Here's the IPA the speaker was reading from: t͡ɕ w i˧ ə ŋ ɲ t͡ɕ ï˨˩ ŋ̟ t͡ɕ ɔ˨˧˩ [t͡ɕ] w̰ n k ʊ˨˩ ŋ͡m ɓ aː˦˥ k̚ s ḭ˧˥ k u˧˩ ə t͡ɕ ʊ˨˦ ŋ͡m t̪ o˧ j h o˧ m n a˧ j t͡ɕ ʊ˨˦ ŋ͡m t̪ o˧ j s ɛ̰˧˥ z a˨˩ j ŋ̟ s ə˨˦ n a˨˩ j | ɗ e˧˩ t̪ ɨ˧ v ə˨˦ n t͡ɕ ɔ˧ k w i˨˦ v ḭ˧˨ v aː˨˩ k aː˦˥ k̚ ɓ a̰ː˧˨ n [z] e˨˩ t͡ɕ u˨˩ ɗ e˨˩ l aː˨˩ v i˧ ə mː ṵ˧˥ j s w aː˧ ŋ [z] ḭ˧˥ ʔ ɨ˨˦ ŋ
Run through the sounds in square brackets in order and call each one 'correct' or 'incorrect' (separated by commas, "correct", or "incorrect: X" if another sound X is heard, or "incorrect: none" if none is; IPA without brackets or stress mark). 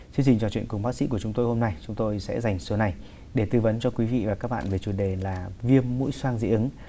correct, incorrect: v, correct